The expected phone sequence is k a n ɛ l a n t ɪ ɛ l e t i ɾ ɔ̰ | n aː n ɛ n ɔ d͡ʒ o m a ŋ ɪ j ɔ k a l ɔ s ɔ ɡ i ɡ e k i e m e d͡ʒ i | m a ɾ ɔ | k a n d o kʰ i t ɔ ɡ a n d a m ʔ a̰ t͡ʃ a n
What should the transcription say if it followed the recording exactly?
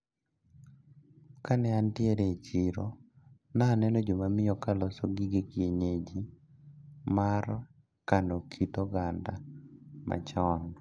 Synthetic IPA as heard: k a n ɛ a n t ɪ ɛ ɾ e t͡ʃ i ɾ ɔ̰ | n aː n ɛ n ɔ d͡ʒ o m a m ɪ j ɔ k a l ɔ s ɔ ɡ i ɡ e k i e ɲ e d͡ʒ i | m a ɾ ɔ | k a n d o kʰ i t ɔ ɡ a n d a m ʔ a̰ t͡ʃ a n